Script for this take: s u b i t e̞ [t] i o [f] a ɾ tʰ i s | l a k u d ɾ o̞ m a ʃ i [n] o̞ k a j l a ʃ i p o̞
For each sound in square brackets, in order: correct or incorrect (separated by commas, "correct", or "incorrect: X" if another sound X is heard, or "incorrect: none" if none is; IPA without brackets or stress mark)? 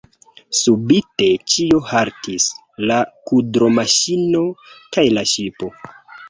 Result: incorrect: t͡ʃ, incorrect: h, correct